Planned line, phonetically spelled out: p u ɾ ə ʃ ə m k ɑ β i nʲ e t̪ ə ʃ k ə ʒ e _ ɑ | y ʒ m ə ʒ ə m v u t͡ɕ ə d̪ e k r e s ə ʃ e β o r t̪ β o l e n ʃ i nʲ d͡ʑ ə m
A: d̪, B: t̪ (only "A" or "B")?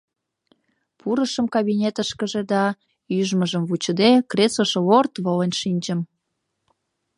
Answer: A